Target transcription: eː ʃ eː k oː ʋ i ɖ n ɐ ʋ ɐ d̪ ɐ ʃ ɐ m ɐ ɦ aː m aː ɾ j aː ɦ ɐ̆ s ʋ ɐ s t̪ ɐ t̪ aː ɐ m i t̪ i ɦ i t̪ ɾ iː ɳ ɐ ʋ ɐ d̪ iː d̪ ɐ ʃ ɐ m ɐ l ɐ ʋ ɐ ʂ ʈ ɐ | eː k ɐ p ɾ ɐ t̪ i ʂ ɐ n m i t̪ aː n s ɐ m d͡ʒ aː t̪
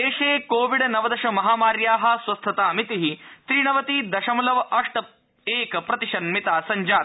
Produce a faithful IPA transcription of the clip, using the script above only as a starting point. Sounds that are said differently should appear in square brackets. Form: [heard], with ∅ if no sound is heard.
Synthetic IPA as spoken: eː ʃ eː k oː ʋ i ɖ n ɐ ʋ ɐ d̪ ɐ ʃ ɐ m ɐ ɦ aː m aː ɾ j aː ɦ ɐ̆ s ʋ ɐ s [t̪ʰ] ɐ t̪ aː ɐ m i t̪ i ɦ i t̪ ɾ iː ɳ ɐ ʋ ɐ [t̪] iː d̪ ɐ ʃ ɐ m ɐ l ɐ ʋ ɐ ʂ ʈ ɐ | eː k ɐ p ɾ ɐ t̪ i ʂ ɐ n m i t̪ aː [∅] s ɐ [ɲ] d͡ʒ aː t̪